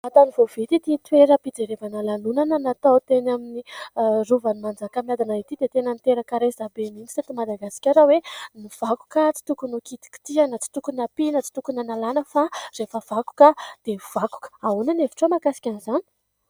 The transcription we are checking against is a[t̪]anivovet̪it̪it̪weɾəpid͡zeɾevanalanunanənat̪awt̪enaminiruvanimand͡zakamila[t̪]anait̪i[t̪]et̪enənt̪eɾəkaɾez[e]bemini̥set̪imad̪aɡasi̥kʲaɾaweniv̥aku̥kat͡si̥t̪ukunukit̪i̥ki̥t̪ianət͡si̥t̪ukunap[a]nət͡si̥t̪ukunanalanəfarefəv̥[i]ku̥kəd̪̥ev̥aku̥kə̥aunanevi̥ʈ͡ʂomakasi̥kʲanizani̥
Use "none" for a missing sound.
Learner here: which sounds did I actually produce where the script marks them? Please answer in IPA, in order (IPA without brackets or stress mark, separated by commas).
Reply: t̪, d̪, d̪, a, i, a